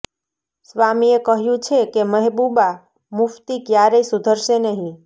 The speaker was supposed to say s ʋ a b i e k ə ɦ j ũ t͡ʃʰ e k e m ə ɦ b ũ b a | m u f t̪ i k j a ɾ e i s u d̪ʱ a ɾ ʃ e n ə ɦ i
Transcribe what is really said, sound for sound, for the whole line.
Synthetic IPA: s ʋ a m i e k ə ɦ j ũ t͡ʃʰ e k e m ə ɦ b u b a | m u f t̪ i k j a ɾ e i s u d̪ʱ ə ɾ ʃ e n ə ɦ ĩ